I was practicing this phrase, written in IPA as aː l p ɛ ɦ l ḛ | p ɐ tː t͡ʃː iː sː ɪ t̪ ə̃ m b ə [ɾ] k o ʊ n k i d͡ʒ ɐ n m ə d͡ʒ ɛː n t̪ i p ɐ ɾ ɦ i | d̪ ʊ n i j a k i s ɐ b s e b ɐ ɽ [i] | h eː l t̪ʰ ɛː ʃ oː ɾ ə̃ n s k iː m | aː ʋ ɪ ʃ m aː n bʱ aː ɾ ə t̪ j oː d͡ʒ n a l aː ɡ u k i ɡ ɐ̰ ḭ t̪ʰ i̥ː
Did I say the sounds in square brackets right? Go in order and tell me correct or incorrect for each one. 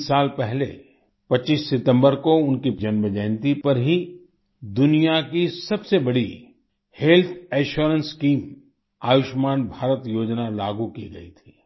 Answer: correct, correct

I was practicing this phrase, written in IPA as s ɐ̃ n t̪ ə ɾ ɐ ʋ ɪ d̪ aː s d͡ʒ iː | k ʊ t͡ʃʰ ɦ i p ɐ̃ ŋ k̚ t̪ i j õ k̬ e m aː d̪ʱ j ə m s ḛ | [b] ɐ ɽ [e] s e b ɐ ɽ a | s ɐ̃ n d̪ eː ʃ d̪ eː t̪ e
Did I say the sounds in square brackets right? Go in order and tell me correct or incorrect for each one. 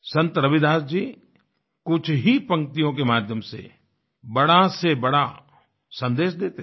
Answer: correct, incorrect

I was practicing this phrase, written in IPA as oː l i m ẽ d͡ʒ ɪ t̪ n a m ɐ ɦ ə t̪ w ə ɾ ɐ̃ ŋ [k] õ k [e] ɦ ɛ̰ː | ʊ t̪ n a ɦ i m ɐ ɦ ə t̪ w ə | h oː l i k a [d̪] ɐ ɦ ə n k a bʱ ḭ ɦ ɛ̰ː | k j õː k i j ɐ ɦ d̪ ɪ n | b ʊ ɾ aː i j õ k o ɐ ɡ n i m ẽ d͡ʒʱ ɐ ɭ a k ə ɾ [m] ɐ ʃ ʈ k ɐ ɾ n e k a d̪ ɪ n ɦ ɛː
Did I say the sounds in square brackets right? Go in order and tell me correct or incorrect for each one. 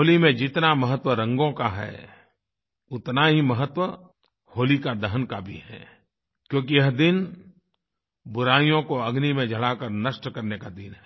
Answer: incorrect, incorrect, correct, incorrect

